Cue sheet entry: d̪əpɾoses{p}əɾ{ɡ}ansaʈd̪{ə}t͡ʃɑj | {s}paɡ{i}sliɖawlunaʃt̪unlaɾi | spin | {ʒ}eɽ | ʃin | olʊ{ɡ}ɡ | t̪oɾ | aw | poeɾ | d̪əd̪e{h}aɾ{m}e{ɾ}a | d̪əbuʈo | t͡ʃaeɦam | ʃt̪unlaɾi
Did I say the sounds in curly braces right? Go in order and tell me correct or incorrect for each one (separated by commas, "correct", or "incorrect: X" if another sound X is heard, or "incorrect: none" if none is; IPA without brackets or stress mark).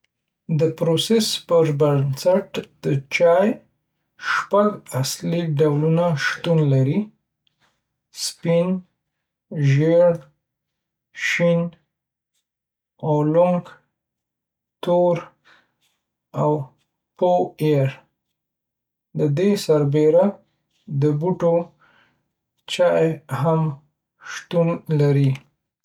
correct, incorrect: b, correct, incorrect: ʃ, incorrect: a, correct, incorrect: ŋ, incorrect: s, incorrect: b, correct